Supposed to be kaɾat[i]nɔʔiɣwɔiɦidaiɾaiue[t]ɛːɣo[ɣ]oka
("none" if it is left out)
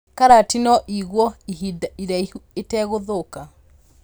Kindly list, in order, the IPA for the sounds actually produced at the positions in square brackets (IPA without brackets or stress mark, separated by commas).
i, t, ð